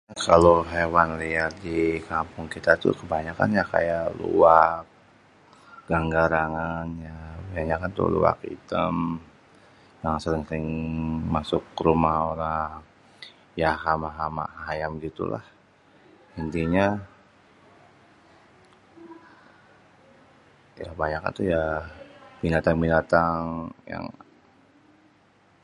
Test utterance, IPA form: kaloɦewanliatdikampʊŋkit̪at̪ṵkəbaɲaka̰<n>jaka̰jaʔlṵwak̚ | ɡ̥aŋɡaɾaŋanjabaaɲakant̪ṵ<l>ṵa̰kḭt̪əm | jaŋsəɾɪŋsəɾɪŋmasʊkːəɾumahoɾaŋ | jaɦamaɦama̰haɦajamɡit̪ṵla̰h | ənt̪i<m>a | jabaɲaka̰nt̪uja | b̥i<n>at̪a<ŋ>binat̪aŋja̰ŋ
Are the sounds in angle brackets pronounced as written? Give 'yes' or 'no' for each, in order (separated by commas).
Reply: yes, yes, no, yes, yes